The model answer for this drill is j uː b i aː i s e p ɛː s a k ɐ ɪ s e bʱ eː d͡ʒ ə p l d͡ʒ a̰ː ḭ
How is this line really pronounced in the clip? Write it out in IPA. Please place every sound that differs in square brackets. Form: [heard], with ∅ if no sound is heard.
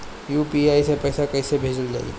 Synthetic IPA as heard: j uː [p] i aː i s e p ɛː s a k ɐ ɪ s e bʱ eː d͡ʒ ə [∅] l d͡ʒ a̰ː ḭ